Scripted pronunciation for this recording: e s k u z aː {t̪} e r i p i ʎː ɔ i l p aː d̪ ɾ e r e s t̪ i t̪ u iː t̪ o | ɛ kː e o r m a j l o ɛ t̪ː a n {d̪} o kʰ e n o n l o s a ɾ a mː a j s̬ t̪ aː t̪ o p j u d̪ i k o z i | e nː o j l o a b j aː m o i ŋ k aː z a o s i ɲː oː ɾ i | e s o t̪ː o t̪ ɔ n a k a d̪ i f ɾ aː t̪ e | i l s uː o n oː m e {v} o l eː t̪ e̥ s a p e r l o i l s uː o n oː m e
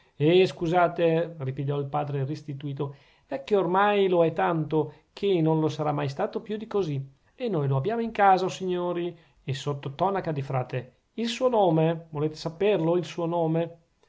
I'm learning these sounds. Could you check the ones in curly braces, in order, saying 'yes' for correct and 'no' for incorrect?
yes, no, yes

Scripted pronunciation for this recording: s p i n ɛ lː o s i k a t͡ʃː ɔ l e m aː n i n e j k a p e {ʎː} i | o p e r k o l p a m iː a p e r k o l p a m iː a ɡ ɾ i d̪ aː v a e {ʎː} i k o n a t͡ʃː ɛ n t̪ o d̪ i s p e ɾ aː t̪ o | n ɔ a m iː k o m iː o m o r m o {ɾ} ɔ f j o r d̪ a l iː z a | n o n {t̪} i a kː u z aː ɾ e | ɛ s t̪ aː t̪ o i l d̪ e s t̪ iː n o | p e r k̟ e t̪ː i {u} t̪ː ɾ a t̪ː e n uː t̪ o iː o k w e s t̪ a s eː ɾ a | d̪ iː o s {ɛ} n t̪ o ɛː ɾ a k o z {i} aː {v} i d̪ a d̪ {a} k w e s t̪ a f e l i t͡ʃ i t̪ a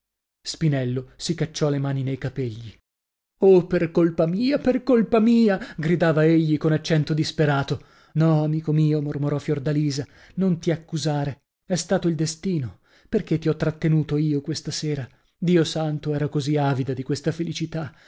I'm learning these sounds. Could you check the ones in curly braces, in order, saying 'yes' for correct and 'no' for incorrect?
yes, yes, yes, yes, no, no, yes, yes, no

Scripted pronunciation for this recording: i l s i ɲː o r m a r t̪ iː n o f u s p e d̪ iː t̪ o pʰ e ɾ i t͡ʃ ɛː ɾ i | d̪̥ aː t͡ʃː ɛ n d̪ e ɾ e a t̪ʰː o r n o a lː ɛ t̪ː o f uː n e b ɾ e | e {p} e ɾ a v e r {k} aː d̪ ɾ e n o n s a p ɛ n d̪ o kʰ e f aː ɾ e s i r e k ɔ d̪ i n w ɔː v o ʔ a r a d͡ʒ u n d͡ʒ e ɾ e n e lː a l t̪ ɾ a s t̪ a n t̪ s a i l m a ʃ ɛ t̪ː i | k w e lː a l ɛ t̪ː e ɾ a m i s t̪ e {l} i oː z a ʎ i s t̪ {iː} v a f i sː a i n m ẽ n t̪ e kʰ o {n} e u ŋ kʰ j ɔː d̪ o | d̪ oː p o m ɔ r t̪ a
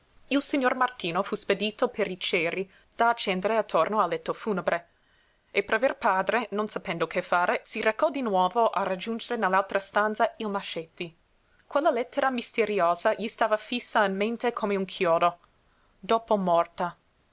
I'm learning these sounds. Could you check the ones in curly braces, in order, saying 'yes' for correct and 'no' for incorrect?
yes, no, no, no, no

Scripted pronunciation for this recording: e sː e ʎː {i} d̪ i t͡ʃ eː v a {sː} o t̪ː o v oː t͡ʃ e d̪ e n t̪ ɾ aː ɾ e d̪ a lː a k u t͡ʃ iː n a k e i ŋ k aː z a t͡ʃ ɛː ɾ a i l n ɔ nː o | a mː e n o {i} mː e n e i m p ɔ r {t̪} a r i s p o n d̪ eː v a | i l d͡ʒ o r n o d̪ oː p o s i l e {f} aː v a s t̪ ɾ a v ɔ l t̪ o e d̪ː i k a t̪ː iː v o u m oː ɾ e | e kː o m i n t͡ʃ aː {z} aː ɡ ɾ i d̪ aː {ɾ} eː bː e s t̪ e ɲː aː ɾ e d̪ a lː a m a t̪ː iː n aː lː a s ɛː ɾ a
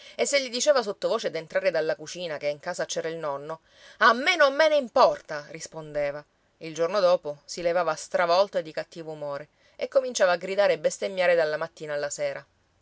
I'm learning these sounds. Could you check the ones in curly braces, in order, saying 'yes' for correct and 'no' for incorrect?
yes, no, no, yes, no, no, yes

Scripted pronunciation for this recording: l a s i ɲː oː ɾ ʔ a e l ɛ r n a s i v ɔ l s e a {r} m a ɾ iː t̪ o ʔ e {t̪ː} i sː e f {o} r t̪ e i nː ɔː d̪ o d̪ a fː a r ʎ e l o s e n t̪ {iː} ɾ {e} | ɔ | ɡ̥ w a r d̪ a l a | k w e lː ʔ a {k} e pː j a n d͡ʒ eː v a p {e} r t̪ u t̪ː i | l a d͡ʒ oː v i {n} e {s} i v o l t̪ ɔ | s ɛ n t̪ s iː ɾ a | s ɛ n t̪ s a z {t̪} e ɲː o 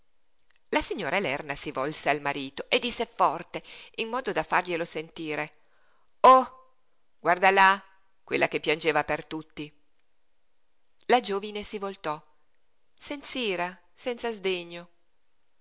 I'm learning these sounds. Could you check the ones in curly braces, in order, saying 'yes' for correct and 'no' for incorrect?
no, no, no, yes, yes, yes, yes, yes, yes, no

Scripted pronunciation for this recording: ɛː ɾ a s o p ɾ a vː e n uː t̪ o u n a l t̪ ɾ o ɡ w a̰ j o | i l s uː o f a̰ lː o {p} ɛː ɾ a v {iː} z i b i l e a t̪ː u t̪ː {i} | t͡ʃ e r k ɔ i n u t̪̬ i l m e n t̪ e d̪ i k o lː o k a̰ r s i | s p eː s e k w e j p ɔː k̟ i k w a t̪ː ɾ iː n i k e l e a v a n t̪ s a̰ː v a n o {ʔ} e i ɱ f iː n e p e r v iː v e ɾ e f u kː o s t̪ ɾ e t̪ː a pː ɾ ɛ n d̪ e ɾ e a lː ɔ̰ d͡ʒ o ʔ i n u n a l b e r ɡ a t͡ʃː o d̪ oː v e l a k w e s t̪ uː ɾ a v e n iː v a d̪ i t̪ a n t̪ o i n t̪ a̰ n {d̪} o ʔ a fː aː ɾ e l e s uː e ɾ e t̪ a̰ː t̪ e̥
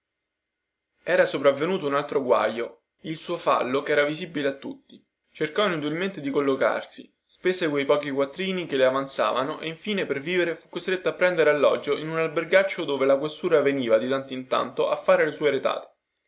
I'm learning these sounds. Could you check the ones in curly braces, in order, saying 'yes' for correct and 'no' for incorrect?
no, no, yes, yes, no

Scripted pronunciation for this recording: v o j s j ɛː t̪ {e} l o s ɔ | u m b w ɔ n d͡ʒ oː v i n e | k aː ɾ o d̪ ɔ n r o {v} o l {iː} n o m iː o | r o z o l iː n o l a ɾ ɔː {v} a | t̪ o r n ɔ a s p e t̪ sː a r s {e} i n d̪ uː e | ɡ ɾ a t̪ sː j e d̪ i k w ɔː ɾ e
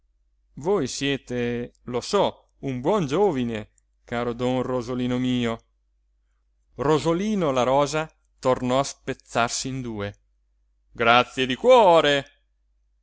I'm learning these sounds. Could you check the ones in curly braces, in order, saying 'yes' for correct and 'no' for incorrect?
yes, no, yes, no, no

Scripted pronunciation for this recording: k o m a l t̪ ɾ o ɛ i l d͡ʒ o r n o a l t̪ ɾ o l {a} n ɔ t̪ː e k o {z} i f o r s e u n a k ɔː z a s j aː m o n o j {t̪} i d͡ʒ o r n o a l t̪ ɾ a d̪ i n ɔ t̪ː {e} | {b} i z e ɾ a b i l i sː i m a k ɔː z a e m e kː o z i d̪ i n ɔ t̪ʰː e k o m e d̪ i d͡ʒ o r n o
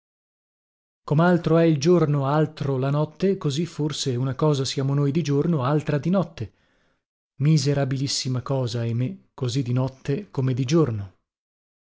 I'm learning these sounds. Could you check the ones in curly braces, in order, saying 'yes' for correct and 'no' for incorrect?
yes, yes, no, yes, no

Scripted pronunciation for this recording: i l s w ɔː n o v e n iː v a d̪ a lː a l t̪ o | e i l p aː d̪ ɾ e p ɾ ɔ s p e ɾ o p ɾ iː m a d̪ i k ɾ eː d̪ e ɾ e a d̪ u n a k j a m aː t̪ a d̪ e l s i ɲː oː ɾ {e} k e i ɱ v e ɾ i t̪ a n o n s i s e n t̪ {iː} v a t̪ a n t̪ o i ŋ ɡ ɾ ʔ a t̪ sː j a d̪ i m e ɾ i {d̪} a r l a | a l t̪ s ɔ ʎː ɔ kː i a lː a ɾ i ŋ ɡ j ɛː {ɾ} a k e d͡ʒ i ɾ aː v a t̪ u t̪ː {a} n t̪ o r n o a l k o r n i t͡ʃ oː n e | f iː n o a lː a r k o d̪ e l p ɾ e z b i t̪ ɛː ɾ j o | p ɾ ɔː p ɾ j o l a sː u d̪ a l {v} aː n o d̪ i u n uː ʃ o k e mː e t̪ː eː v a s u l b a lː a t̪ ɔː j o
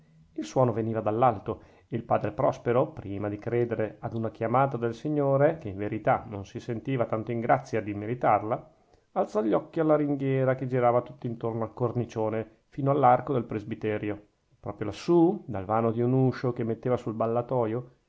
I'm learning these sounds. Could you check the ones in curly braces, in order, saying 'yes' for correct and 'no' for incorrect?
yes, yes, no, yes, no, yes

